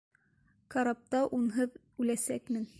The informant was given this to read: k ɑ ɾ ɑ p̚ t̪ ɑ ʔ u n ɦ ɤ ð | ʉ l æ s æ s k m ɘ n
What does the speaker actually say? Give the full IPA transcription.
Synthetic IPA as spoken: k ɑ ɾ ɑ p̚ t̪ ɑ ʔ u n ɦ ɤ ð | ʉ l æ s æ k m ɘ n